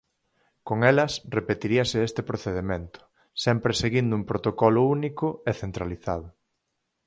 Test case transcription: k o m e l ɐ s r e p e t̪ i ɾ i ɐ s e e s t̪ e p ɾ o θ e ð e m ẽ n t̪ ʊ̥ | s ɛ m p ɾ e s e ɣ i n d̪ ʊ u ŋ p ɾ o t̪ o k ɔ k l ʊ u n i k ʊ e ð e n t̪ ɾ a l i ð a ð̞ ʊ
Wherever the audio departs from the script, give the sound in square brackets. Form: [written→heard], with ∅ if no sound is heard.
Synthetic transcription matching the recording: k o [m→ŋ] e l ɐ s r e p e t̪ i ɾ i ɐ s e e s t̪ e p ɾ o θ e ð e m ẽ n t̪ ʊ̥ | s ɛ m p ɾ e s e ɣ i n d̪ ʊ u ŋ p ɾ o t̪ o k ɔ [k→∅] l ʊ u n i k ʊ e [ð→θ] e n t̪ ɾ a l i [ð→θ] a ð̞ ʊ